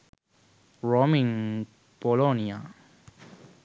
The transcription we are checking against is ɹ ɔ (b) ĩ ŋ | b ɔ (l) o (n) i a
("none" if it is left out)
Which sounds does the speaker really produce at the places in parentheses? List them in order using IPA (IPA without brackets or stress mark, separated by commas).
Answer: m, l, n